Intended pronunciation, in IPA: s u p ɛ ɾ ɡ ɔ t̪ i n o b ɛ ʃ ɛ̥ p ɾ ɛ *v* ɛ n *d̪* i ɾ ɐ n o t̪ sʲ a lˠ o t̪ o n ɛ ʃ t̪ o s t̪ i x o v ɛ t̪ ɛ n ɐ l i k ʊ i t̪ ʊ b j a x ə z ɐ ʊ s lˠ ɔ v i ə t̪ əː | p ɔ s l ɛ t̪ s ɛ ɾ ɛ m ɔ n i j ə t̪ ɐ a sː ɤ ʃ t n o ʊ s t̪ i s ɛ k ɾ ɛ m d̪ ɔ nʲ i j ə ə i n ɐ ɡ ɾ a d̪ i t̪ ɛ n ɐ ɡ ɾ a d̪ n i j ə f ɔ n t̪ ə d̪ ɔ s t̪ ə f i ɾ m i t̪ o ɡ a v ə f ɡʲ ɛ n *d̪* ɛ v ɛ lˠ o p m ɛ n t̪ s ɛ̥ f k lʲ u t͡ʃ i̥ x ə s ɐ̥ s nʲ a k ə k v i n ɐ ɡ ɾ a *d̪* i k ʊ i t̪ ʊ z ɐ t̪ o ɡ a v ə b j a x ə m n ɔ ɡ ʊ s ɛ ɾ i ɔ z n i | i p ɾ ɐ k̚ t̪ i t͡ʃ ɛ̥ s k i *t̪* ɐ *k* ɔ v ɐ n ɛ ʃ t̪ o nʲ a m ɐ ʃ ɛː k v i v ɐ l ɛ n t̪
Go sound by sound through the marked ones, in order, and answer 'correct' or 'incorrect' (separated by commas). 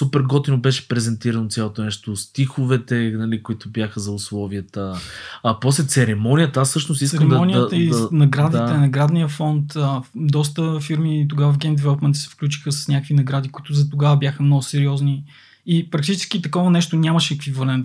incorrect, incorrect, correct, correct, correct, correct